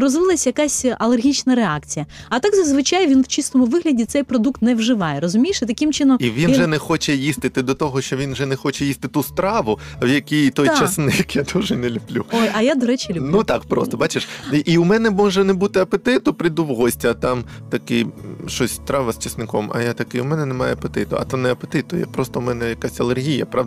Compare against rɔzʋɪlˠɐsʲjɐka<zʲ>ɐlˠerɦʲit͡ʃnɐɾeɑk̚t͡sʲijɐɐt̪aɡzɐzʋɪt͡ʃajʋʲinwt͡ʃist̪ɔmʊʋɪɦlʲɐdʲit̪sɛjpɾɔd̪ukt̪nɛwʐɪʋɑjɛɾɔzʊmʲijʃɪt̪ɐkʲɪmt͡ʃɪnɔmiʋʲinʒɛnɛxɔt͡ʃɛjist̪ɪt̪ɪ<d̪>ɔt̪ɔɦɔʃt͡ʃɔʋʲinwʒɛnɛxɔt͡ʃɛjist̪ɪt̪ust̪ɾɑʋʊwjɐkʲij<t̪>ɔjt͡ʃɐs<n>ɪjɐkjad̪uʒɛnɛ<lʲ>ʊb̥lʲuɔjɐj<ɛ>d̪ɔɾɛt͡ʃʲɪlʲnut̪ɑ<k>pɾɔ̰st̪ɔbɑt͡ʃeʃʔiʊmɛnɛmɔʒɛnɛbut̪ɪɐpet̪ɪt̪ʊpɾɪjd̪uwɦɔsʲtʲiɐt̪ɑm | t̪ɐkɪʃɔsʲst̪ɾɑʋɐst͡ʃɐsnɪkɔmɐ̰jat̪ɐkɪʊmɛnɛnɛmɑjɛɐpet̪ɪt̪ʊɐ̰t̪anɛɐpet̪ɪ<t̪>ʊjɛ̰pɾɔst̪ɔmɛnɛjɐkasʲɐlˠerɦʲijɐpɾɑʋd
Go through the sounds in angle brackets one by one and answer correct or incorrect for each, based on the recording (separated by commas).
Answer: incorrect, correct, correct, correct, correct, incorrect, correct, correct